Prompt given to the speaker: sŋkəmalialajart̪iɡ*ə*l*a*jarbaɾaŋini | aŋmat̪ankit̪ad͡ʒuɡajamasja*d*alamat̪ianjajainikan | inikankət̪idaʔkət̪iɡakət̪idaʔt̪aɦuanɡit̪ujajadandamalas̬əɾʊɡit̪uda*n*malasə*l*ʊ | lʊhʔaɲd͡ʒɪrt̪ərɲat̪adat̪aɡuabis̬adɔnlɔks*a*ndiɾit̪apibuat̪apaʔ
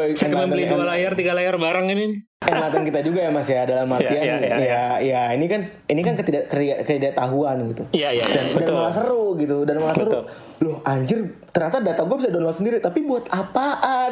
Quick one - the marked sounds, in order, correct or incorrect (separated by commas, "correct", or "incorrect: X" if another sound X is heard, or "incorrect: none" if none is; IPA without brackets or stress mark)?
incorrect: a, correct, correct, correct, incorrect: ɾ, incorrect: ə